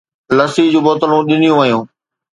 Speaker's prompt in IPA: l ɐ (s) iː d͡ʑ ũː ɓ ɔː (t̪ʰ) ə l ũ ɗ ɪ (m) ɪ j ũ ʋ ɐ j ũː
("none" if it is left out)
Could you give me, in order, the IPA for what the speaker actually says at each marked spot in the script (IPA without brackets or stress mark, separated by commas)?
s, t̪, n